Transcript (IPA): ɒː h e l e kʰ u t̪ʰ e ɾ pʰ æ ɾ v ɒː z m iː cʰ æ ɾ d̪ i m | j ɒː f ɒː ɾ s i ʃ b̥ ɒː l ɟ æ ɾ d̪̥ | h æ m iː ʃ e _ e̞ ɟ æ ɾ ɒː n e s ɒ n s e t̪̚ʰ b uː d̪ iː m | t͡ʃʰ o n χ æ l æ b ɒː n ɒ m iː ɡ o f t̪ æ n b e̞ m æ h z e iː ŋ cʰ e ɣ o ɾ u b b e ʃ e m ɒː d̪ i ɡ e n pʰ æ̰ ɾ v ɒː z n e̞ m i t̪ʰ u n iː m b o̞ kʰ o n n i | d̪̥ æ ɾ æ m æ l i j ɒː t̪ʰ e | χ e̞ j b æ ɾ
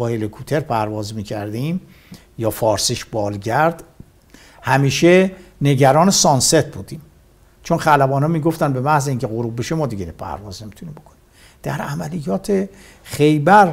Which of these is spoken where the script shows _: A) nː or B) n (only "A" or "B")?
B